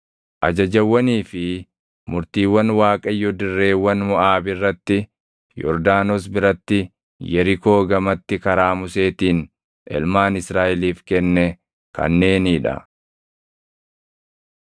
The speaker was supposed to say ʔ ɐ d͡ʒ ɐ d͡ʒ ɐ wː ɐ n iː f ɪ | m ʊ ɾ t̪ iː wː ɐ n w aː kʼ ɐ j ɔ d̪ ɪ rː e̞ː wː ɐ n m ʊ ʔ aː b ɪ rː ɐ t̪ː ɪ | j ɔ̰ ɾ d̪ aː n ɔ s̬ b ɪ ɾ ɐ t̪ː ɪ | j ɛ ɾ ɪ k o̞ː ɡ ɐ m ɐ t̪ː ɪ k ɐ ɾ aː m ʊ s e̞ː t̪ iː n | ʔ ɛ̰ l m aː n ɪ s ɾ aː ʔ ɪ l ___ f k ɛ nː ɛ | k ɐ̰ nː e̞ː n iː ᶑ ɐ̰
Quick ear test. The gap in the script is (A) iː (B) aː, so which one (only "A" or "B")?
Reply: A